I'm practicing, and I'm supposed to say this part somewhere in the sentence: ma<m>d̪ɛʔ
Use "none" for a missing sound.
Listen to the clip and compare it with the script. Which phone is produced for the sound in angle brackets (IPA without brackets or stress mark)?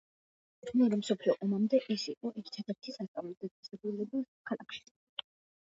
m